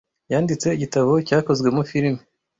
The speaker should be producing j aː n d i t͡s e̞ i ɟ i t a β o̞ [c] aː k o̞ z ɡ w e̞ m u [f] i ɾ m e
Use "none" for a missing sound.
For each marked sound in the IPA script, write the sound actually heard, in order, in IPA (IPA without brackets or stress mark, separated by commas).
c, f